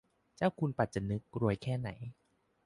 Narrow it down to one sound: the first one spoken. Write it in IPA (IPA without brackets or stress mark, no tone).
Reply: t͡ɕ